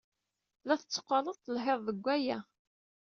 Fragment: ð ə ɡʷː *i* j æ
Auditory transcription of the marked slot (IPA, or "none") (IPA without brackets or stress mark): æ